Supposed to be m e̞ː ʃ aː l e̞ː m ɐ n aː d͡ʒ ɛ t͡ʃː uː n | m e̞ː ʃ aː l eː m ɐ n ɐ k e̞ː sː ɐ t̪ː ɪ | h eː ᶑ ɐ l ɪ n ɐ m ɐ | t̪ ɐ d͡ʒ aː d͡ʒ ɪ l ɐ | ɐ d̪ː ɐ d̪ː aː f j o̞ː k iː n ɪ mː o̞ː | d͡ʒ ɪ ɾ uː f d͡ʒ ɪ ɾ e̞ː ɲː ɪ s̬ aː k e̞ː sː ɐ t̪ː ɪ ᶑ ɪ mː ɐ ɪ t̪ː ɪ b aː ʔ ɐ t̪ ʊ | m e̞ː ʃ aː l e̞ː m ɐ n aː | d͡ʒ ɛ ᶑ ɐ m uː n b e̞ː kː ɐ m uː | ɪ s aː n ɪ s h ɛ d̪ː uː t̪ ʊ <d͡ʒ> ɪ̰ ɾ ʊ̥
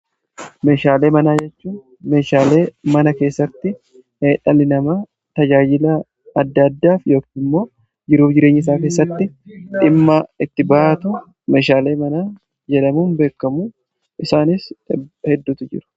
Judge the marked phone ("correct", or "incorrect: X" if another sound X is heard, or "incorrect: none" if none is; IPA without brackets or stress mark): correct